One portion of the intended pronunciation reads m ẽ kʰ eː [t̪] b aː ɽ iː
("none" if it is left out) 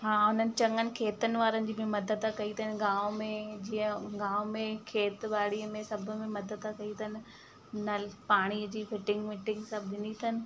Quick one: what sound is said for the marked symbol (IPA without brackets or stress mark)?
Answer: t̪